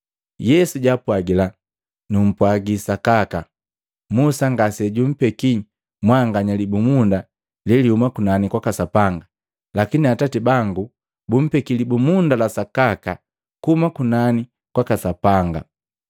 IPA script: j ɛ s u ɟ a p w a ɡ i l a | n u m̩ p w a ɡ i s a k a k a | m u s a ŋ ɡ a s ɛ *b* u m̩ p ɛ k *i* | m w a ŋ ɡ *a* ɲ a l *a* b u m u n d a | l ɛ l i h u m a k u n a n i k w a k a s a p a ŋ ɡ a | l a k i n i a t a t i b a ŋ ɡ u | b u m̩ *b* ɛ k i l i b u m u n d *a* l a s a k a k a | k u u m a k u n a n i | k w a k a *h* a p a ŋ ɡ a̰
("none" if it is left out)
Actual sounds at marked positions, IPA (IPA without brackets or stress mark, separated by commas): ɟ, i, a, i, p, a, s